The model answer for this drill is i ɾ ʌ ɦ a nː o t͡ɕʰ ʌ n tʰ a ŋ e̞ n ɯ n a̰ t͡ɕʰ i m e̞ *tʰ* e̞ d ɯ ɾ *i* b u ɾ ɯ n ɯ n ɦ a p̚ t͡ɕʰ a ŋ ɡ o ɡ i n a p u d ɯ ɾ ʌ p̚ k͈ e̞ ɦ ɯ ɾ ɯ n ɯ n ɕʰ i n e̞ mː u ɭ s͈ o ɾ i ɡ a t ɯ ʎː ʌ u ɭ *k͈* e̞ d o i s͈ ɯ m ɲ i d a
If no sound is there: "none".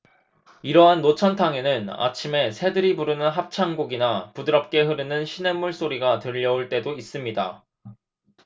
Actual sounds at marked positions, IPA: sʰ, i, t͈

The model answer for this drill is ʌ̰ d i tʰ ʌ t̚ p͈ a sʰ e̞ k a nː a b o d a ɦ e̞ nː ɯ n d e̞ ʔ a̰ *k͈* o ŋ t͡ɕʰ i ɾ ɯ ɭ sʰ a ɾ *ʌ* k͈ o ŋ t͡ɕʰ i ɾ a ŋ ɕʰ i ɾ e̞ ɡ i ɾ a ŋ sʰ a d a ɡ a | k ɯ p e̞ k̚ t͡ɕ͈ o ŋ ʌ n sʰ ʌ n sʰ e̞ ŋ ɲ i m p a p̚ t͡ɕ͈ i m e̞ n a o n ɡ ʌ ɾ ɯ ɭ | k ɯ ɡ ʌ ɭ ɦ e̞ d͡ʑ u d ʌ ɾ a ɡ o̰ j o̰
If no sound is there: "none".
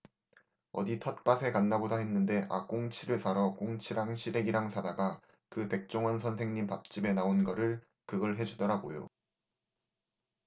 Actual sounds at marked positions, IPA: k͈, ʌ

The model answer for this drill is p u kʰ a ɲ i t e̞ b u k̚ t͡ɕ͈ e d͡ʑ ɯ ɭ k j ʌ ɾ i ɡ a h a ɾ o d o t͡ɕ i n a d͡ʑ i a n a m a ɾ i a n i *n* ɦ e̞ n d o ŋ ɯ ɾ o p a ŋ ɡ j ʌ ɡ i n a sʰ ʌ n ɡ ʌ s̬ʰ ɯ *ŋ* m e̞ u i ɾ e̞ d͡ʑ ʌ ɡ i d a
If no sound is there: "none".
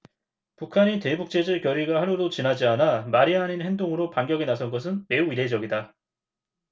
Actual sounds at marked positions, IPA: n, n

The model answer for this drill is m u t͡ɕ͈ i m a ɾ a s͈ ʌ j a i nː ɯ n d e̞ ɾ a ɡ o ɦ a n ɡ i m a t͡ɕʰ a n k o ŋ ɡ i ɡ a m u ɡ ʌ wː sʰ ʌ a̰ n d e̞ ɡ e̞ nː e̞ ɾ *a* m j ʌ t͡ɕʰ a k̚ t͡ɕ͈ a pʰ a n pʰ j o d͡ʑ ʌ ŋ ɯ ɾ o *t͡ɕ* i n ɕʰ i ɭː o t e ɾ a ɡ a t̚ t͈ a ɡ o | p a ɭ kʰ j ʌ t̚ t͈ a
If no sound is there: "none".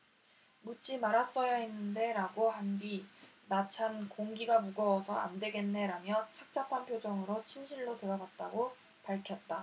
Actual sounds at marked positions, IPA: a, t͡ɕʰ

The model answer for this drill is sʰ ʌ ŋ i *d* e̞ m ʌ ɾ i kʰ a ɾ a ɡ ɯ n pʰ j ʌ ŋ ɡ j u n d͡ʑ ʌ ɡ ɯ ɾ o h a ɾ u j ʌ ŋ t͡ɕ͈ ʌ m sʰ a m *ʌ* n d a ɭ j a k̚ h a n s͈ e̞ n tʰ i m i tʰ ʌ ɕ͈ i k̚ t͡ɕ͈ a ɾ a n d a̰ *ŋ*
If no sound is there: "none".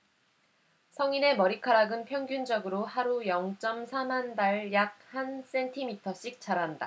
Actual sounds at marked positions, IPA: n, a, none

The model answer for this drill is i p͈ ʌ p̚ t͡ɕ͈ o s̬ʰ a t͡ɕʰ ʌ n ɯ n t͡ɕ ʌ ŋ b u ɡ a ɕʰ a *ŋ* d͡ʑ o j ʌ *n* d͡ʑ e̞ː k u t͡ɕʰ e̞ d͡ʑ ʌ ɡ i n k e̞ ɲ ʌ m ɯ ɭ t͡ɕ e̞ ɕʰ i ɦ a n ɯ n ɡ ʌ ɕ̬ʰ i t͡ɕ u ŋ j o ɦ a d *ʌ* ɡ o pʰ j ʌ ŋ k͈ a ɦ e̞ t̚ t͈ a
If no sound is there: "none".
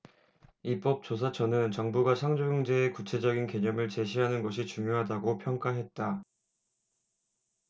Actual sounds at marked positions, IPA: ŋ, ŋ, a

